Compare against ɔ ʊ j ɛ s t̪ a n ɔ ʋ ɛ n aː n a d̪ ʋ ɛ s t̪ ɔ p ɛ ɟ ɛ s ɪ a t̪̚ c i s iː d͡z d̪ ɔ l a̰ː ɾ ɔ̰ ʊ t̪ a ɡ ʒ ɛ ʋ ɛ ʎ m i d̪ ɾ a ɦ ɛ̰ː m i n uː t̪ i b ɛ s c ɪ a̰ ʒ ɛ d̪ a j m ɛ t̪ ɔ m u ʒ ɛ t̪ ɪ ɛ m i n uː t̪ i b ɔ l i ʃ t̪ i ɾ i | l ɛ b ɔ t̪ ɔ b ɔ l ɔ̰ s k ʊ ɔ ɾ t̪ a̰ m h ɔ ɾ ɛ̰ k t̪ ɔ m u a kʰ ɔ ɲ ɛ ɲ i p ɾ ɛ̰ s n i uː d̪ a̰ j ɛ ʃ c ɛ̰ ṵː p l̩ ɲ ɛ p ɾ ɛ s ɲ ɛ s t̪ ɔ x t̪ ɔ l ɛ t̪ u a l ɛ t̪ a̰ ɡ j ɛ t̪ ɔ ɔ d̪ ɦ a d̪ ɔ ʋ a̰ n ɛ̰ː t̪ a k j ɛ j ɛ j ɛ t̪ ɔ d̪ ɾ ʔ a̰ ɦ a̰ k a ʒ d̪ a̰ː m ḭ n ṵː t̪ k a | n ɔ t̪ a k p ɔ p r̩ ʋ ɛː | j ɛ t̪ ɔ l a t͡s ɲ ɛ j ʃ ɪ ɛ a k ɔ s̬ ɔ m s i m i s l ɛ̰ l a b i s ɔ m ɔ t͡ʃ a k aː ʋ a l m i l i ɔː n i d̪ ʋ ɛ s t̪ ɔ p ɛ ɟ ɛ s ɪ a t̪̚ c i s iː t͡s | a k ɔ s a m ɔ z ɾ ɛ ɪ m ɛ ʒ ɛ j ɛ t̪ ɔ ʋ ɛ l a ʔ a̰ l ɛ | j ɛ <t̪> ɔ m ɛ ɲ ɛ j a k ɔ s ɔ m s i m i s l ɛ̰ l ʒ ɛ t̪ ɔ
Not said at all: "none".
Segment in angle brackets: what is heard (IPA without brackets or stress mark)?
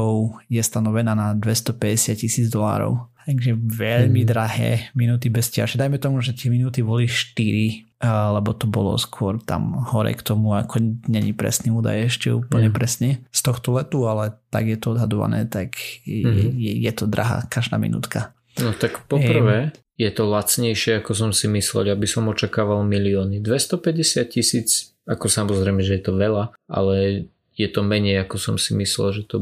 t̪